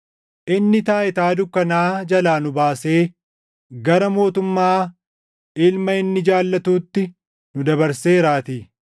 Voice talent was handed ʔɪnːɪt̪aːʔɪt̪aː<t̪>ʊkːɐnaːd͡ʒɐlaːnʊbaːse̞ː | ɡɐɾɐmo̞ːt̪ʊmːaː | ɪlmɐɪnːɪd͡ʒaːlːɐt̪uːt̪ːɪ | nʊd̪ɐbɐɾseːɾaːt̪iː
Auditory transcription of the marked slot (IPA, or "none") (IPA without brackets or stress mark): d̪